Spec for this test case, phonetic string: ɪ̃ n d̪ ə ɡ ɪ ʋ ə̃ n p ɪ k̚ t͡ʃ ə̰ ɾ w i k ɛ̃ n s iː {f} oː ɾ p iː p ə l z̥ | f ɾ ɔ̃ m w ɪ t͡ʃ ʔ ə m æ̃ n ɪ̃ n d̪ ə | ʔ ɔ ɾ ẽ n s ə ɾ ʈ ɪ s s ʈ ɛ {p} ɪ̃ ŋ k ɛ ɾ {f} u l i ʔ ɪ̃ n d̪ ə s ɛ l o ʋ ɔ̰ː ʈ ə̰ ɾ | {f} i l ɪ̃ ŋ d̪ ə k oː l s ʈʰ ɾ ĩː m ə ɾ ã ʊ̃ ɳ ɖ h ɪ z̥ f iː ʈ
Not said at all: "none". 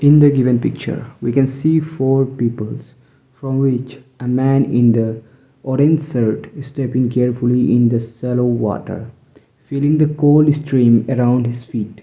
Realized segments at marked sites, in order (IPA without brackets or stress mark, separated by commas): f, p, f, f